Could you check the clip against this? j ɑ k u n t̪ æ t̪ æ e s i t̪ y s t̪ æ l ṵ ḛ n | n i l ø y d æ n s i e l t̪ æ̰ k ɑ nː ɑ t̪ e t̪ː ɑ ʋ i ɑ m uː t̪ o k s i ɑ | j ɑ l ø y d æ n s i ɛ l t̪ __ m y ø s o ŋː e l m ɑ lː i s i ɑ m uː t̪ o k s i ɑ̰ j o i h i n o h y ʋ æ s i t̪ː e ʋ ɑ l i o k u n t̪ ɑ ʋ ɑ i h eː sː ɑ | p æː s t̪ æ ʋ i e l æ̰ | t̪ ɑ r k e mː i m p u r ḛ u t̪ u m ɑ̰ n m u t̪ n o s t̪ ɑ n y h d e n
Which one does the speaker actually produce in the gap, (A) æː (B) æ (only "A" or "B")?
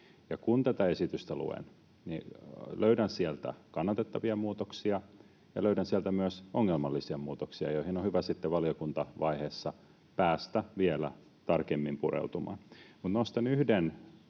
B